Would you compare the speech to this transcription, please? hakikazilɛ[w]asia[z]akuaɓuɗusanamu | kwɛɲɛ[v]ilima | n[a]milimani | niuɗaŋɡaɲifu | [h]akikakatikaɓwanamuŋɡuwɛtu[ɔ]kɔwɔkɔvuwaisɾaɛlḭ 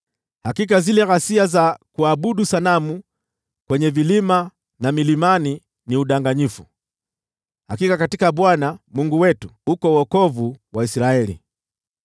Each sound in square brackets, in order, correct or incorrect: incorrect: ɣ, correct, correct, correct, correct, incorrect: u

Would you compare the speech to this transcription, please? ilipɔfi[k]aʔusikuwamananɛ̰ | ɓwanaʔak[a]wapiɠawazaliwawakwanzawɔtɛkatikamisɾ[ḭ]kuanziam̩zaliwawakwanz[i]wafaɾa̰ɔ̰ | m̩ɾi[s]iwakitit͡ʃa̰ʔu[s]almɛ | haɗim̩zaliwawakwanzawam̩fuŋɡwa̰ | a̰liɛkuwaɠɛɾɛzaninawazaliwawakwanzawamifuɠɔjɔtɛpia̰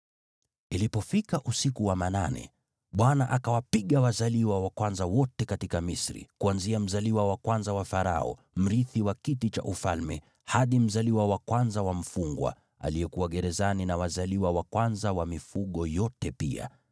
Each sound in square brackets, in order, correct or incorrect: correct, correct, correct, incorrect: a, incorrect: θ, incorrect: f

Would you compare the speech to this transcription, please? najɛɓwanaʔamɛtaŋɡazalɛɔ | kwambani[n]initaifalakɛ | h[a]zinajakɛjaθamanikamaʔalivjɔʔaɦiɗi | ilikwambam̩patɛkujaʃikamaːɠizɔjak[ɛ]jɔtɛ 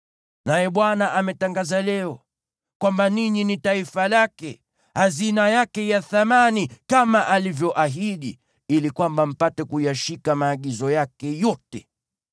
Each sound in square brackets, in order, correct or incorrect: incorrect: ɲ, correct, correct

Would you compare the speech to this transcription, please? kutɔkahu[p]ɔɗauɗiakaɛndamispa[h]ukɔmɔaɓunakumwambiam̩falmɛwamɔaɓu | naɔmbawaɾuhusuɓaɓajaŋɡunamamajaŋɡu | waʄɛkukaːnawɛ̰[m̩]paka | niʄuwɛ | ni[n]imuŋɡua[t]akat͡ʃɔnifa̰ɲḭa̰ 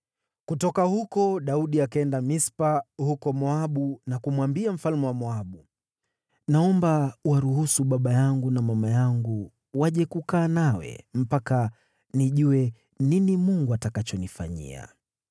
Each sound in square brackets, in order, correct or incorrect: incorrect: k, correct, correct, correct, correct

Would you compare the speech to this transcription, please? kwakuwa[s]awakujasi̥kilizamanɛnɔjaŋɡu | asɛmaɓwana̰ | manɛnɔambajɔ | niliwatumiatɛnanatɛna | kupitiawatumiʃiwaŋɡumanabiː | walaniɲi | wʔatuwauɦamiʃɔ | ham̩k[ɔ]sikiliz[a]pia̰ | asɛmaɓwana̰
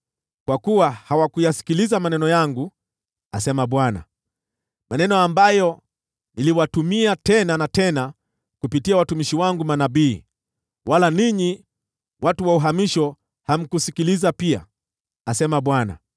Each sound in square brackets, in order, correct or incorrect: incorrect: h, incorrect: u, correct

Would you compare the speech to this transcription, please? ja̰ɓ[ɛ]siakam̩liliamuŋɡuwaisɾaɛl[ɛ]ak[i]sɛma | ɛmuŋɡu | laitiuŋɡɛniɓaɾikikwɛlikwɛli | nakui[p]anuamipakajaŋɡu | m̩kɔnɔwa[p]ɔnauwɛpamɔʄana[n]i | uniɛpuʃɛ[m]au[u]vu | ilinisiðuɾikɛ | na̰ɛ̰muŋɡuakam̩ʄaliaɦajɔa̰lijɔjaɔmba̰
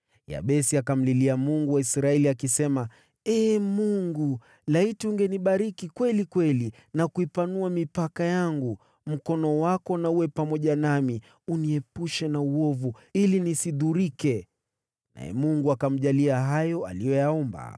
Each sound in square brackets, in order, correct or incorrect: correct, incorrect: i, correct, correct, incorrect: k, incorrect: m, incorrect: n, incorrect: ɔ

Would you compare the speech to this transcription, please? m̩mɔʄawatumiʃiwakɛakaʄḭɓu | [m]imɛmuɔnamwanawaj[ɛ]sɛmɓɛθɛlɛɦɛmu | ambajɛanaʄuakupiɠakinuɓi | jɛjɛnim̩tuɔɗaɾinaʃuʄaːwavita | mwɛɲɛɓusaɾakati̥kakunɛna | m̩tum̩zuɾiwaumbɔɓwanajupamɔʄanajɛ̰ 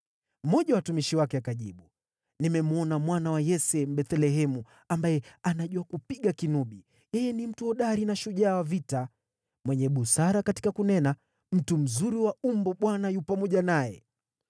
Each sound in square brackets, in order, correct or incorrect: incorrect: n, correct

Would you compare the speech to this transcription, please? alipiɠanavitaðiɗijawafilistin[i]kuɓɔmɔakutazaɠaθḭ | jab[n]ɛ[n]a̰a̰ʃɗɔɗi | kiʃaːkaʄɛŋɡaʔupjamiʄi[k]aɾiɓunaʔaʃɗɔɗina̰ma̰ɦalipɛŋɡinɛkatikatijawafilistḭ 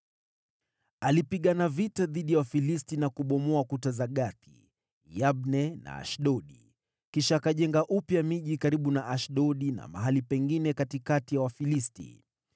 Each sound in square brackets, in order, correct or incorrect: incorrect: a, correct, correct, correct

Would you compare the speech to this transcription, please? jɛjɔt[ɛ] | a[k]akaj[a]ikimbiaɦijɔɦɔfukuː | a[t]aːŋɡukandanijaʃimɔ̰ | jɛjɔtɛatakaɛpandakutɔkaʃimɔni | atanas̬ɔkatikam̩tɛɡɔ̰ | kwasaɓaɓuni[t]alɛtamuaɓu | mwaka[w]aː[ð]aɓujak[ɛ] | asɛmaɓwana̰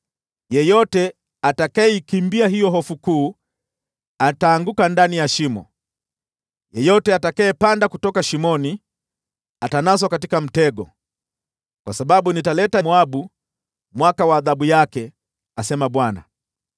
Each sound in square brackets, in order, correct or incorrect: correct, incorrect: t, incorrect: ɛ, correct, correct, correct, correct, correct

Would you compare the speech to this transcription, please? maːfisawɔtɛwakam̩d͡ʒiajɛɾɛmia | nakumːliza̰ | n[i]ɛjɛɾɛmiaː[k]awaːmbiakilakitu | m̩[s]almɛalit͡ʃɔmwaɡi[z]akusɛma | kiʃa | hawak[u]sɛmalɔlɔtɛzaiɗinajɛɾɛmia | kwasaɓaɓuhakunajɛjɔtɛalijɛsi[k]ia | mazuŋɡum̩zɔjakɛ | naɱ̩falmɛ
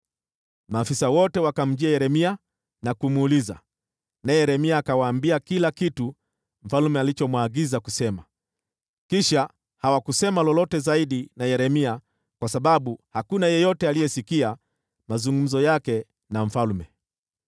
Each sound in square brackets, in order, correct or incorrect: incorrect: a, correct, incorrect: f, correct, correct, correct

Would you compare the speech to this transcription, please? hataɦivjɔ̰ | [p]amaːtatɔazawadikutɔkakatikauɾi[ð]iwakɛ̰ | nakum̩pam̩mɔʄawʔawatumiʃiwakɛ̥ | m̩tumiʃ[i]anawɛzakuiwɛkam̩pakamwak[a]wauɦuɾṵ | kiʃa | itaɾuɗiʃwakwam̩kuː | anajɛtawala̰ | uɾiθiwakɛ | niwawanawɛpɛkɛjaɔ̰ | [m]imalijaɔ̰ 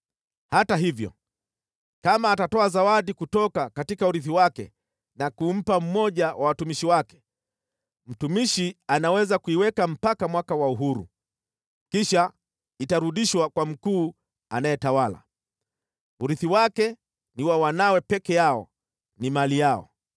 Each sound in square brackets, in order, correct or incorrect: incorrect: k, incorrect: θ, correct, correct, incorrect: n

